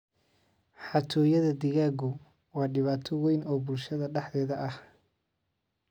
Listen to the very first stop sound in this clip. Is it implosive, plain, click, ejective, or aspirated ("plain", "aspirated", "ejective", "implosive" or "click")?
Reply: aspirated